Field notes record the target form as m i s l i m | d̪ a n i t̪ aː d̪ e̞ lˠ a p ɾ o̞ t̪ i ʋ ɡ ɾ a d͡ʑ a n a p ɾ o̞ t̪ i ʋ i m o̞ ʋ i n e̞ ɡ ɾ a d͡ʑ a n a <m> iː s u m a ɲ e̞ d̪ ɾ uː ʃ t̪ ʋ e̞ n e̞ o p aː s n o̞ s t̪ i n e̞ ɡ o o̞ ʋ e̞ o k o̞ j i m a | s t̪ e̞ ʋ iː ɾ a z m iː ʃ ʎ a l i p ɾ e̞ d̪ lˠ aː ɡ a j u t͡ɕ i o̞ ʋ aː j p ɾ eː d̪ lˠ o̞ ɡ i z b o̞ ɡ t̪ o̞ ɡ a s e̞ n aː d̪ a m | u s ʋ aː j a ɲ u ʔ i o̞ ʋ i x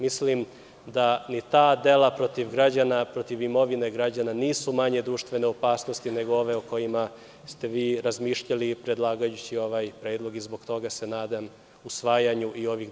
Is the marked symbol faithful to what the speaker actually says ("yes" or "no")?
no